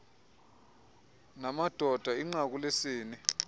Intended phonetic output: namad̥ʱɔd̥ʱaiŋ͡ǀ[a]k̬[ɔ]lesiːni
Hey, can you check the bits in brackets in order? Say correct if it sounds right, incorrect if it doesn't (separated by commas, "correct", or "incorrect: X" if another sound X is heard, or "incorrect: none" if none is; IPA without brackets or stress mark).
correct, incorrect: u